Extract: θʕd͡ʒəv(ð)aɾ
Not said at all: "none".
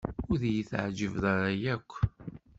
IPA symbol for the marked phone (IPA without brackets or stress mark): ð